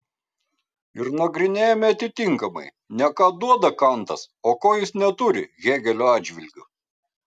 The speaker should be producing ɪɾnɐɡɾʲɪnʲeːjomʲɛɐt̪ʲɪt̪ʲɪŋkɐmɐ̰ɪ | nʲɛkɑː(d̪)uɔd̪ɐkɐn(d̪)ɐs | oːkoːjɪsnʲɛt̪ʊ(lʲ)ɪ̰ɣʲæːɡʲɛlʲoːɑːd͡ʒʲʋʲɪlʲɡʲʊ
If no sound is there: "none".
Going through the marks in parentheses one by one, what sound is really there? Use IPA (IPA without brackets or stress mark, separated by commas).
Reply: d̪, t̪, ɾʲ